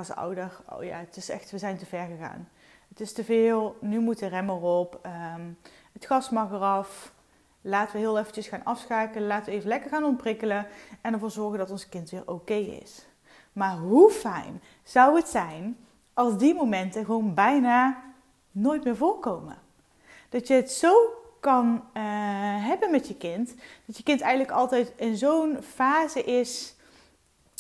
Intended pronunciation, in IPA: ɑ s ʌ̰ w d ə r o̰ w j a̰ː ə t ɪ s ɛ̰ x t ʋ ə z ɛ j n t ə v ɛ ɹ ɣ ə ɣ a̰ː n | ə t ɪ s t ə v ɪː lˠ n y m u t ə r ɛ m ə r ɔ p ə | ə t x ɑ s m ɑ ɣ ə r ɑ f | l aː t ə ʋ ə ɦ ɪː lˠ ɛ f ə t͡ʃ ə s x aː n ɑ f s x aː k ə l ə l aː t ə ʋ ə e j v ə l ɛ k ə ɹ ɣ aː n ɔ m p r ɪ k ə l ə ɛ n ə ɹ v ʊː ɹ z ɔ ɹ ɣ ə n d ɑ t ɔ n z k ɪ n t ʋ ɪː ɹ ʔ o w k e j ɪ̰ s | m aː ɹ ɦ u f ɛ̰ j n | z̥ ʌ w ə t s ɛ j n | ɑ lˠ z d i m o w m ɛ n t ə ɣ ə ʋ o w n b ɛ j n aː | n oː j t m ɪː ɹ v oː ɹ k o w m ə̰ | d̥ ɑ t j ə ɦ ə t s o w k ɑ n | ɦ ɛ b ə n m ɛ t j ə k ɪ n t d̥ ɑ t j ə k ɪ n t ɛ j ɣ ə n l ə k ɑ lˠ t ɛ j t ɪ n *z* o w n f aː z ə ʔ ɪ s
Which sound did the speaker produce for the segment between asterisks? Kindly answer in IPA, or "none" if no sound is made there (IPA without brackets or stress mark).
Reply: z